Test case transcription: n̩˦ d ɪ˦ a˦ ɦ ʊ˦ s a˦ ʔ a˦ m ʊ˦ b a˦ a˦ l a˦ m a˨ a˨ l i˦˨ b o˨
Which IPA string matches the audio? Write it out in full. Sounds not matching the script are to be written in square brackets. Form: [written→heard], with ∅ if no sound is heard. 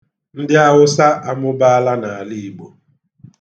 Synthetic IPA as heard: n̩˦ d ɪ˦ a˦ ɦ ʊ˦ s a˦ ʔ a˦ m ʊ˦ b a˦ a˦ l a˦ [m→n] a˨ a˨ l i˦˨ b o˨

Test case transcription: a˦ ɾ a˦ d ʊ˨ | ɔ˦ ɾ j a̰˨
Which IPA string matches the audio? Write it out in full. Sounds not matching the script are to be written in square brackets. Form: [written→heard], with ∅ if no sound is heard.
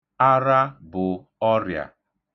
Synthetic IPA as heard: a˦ ɾ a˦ [d→b] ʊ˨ | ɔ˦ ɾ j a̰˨

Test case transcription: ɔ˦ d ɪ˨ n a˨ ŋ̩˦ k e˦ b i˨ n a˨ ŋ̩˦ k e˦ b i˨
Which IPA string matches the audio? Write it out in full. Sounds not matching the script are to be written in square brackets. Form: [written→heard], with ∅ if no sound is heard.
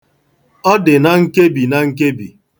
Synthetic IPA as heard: ɔ˦ d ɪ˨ n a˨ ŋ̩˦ k e˦ b i˨ n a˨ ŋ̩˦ k e˦ b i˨

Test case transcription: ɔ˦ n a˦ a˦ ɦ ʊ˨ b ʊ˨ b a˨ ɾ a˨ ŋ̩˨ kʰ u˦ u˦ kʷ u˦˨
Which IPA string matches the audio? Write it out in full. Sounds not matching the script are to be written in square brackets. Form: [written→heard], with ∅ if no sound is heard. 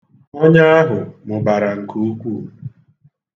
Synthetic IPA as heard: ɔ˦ [n→ɲ] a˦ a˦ ɦ ʊ˨ [b→m] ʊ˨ b a˨ ɾ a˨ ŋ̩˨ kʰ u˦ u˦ kʷ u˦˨

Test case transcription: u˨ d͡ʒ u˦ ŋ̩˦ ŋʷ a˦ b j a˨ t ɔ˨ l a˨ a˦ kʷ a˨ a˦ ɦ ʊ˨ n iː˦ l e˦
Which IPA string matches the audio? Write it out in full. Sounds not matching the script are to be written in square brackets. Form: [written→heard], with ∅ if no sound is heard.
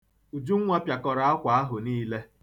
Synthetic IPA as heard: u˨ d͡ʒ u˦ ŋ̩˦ ŋʷ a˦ [b→p] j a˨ [t→k] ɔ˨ [l→ɾ] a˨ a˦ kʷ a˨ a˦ ɦ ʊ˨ n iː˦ l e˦

